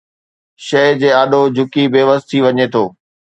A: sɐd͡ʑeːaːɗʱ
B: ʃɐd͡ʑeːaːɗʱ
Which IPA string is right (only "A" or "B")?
B